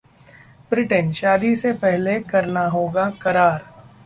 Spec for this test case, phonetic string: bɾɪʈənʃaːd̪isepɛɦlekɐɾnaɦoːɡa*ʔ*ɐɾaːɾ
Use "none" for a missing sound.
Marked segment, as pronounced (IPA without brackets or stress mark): k